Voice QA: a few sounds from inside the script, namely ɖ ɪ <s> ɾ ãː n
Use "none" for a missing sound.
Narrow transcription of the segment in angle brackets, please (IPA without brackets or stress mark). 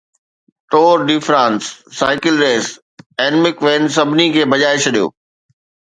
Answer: f